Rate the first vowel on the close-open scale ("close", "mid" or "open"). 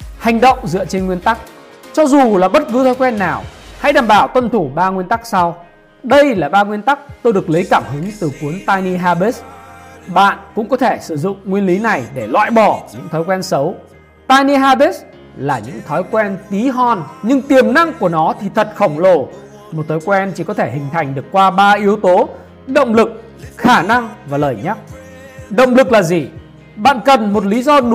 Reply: open